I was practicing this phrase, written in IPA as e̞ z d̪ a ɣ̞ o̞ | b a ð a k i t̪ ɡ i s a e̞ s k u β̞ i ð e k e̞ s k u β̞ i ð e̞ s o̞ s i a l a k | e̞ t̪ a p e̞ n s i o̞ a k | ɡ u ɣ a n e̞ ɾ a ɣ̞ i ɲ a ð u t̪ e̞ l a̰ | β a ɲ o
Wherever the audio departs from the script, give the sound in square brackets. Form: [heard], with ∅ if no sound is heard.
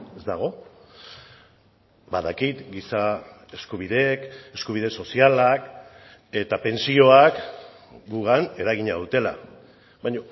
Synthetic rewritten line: e̞ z d̪ a ɣ̞ o̞ | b a ð a k i t̪ ɡ i s a e̞ s k u β̞ i ð e k e̞ s k u β̞ i ð e̞ s o̞ s i a l a k | e̞ t̪ a p e̞ n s i o̞ a k | ɡ u ɣ a n e̞ ɾ a ɣ̞ i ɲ a ð u t̪ e̞ l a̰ | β a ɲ o